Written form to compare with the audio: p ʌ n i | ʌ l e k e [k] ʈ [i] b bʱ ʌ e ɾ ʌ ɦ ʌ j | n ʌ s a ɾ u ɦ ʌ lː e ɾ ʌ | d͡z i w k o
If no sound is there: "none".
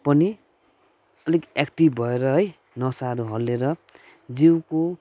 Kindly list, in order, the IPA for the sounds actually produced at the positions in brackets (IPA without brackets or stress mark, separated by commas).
k, i